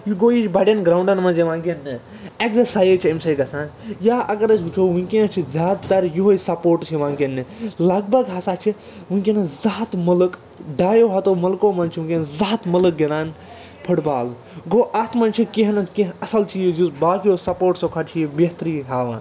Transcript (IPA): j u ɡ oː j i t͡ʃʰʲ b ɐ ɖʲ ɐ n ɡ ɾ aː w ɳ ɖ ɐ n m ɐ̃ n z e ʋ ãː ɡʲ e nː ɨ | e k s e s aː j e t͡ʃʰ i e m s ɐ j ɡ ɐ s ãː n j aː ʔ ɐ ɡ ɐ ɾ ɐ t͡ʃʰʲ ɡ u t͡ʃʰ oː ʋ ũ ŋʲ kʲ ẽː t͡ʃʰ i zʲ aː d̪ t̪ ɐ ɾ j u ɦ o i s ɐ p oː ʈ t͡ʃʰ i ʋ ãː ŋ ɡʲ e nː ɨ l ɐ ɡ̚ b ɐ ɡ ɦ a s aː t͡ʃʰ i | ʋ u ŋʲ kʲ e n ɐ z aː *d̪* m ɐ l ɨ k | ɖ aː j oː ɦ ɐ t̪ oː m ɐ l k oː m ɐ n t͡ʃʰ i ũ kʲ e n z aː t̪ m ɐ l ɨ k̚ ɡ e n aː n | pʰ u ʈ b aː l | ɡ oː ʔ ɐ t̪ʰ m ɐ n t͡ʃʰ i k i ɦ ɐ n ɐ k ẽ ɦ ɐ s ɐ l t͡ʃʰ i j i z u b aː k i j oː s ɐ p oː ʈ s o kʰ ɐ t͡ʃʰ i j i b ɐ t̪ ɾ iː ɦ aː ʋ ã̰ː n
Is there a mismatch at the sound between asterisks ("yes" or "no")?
yes